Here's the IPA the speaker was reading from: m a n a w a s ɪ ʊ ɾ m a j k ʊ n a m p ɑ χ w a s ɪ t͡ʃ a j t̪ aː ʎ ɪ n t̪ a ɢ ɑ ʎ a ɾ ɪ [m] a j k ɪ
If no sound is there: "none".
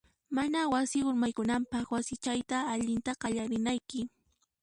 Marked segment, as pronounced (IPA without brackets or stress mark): n